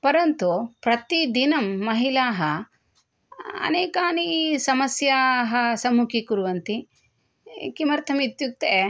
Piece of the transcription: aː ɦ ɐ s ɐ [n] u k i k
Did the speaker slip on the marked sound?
yes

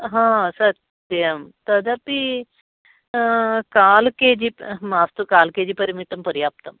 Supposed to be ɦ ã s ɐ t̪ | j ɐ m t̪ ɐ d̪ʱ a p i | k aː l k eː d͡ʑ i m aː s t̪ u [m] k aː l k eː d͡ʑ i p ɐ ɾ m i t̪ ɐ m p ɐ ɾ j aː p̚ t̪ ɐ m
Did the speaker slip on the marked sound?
yes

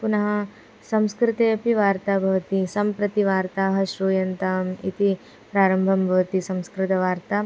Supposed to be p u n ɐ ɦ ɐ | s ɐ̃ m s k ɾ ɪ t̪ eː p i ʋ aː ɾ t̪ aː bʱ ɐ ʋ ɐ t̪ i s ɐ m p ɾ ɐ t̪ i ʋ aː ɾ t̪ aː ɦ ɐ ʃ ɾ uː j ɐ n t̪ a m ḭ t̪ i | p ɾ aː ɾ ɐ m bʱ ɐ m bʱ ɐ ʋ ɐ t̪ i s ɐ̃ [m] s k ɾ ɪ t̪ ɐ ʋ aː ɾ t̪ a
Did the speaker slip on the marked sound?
no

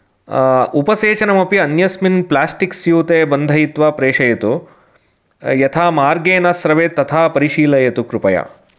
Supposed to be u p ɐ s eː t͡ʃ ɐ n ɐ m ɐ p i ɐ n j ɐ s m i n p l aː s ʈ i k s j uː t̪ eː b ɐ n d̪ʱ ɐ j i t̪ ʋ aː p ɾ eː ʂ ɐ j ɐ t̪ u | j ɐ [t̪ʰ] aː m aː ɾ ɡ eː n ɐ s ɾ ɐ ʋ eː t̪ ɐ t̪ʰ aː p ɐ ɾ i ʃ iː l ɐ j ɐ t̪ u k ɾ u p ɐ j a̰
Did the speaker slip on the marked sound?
no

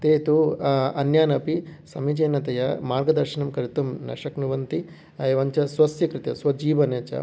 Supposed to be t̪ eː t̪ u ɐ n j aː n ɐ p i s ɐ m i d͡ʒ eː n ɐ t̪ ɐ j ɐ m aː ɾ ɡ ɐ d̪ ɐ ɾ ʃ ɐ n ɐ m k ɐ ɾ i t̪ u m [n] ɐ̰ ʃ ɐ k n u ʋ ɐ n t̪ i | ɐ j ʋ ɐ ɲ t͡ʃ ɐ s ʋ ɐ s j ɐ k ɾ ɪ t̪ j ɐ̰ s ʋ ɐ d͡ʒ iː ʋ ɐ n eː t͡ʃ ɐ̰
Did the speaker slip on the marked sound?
no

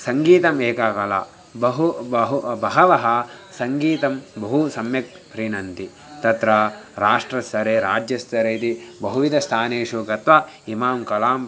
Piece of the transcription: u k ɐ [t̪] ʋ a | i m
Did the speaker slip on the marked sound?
no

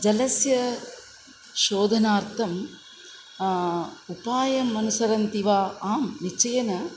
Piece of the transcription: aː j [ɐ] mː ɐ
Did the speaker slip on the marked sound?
no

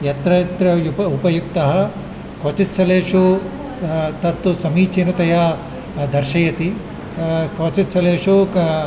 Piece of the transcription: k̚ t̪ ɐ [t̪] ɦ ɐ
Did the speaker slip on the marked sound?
yes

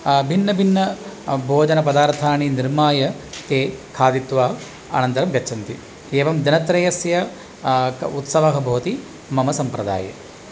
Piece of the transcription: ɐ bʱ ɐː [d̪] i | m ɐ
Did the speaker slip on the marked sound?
yes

